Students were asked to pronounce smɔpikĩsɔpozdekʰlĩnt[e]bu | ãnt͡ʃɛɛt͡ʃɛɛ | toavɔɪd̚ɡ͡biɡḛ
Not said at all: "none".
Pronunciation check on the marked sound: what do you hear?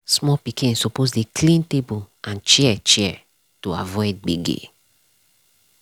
e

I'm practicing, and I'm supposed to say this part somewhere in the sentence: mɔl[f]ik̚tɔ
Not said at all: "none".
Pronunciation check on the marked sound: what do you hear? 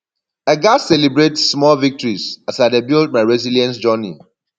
v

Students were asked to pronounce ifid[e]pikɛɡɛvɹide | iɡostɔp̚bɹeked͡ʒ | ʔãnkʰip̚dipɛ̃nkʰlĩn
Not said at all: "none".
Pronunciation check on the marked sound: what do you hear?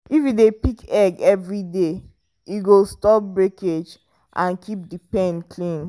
e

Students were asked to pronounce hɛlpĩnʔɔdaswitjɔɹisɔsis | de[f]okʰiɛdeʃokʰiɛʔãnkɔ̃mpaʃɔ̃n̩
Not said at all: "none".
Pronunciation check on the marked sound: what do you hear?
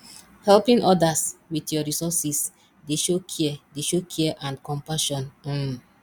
ʃ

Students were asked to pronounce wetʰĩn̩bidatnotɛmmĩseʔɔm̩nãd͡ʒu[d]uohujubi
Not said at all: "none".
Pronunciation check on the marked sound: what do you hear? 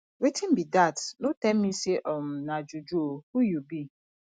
d͡ʒ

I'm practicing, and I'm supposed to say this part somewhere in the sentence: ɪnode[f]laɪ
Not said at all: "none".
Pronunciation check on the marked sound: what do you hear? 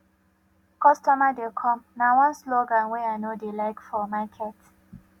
none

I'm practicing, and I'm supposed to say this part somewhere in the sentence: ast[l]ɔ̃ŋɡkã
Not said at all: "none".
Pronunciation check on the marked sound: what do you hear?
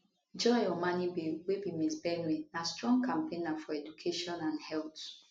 ɹ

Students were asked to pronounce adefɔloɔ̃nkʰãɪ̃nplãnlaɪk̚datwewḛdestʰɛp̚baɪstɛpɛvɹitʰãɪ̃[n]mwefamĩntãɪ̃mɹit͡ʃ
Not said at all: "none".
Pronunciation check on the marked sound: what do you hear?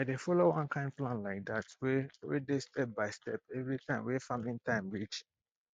none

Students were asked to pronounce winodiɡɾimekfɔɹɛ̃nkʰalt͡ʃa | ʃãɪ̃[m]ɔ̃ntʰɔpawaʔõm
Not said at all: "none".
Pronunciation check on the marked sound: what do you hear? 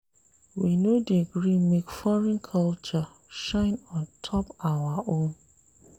n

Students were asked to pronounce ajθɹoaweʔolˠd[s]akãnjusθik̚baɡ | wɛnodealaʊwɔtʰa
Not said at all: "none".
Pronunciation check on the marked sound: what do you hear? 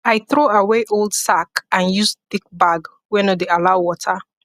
s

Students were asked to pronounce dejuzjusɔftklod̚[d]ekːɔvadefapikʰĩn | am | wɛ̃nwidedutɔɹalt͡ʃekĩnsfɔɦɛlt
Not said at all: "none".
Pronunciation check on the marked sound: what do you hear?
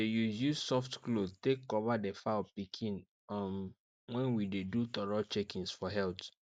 t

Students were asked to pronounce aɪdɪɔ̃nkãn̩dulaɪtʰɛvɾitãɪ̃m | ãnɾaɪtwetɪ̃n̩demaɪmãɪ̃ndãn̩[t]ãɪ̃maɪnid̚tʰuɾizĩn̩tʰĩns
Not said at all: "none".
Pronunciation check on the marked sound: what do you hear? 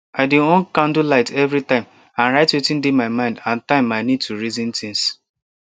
t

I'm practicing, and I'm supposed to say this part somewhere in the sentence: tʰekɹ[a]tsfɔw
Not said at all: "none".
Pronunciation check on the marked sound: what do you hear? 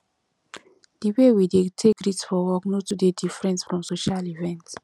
i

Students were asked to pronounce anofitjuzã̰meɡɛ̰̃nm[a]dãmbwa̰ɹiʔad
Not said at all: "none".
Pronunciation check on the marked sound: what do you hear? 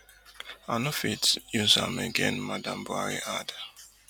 a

